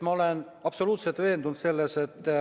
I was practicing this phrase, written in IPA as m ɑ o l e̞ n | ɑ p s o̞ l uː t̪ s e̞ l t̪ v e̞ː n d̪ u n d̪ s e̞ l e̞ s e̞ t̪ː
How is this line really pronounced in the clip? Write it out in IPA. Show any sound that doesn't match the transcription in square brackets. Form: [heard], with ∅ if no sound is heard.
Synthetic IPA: m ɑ o l e̞ n | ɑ p s o̞ l uː t̪ s e̞ l t̪ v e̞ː n d̪ u n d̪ s e̞ [lː] e̞ s e̞ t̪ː